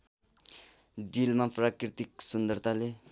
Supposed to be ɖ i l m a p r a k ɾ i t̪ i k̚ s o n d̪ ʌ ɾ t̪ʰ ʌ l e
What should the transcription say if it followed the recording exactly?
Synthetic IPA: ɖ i l m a p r a k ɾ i t̪ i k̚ s u n d̪ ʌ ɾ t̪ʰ a l e